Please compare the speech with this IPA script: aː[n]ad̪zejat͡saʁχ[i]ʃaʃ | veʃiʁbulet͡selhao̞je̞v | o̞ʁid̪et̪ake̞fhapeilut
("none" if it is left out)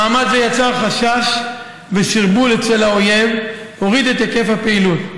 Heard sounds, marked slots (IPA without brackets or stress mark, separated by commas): m, a